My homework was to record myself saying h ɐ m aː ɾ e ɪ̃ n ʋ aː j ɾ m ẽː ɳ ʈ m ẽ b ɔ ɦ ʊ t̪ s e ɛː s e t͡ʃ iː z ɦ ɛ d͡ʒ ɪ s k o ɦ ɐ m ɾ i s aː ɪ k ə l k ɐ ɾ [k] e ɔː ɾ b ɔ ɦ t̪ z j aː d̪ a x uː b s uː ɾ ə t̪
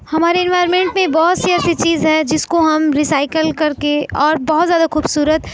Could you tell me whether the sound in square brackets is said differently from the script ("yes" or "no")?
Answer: no